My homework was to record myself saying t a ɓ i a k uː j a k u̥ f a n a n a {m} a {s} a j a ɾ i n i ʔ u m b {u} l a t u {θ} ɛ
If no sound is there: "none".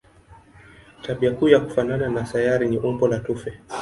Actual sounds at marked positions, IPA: n, s, ɔ, f

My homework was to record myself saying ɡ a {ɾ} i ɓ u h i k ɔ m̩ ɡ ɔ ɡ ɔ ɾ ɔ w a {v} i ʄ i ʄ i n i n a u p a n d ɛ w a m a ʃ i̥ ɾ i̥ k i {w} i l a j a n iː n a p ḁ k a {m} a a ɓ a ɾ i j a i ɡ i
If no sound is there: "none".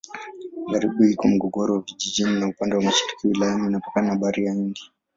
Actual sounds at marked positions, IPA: ɾ, v, w, n

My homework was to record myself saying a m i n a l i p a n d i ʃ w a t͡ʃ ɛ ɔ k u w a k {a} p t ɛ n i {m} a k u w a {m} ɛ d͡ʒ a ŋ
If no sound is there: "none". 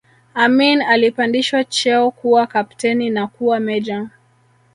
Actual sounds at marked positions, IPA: a, n, m

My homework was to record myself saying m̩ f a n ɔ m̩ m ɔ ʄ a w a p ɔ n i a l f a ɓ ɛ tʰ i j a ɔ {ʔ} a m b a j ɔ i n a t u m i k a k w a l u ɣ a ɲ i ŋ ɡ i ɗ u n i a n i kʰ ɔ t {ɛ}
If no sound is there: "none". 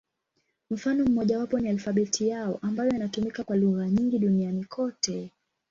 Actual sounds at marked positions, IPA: ʔ, ɛ

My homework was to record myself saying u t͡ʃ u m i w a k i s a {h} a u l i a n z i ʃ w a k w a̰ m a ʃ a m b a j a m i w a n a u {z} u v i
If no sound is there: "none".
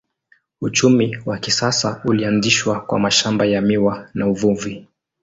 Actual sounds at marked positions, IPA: s, v

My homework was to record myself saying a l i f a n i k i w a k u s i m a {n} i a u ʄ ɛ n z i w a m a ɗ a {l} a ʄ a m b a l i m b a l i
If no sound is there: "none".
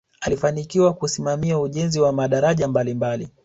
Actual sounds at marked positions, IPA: m, ɾ

